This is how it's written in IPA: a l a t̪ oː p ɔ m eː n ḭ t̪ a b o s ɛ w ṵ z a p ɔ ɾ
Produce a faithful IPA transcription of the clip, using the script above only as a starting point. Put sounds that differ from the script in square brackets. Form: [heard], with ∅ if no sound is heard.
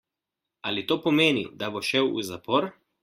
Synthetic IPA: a l [i] t̪ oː p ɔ m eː n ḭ [d̪] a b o [ʃ] ɛ w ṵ z a p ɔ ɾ